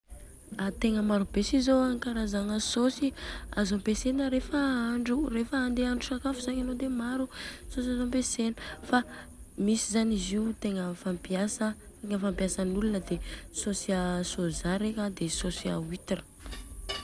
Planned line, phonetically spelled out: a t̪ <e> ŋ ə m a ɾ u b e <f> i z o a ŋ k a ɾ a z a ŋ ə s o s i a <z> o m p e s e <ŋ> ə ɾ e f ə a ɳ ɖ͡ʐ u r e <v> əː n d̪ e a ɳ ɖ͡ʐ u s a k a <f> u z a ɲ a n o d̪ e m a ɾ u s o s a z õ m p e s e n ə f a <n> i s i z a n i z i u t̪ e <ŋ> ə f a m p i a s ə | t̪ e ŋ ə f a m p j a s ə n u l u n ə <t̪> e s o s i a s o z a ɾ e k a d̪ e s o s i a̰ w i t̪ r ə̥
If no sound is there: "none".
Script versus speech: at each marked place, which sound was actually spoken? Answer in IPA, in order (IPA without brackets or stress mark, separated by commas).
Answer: e, s, z, n, f, f, m, ŋ, d̪